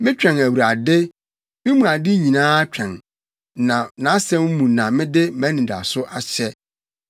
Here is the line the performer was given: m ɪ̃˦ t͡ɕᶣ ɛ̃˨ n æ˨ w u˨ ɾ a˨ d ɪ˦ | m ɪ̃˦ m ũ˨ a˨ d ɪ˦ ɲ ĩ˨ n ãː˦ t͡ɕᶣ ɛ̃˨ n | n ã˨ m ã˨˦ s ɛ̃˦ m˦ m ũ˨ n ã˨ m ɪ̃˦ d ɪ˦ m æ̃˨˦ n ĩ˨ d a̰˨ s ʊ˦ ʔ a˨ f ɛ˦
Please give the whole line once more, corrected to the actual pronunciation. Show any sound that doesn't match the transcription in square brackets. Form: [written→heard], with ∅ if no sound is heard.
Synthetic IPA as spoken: m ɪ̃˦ t͡ɕᶣ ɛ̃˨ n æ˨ w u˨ ɾ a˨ d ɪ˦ | m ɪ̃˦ m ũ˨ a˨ d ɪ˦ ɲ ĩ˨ n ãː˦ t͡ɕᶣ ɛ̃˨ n | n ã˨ [m→n] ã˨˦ s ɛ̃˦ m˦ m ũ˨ n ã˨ m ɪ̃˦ d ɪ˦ m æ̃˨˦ n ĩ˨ d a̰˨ s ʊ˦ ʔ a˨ [f→ɕ] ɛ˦